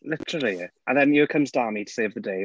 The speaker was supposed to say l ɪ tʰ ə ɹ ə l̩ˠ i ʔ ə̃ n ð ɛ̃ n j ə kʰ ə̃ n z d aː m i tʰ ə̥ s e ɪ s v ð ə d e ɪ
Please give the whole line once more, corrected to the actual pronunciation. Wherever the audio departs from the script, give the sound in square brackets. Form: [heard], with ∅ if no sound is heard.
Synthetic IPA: l ɪ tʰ ə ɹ ə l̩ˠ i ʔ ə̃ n ð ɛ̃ n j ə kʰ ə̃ [m] z d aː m i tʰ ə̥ s e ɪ [∅] v ð ə d e ɪ